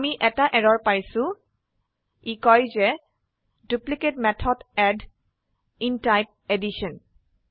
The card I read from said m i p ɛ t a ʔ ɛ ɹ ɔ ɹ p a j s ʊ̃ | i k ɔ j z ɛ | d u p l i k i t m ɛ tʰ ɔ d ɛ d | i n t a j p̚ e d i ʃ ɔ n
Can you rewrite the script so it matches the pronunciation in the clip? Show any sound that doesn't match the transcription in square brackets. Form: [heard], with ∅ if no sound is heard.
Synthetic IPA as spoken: m i [ʔ] ɛ t a ʔ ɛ ɹ ɔ ɹ p a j s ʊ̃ | i k ɔ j z ɛ | d u p l i k [e] t m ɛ tʰ ɔ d ɛ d | i n t a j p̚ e d i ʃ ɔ n